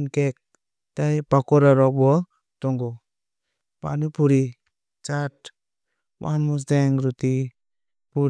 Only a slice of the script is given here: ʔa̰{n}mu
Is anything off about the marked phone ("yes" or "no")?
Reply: no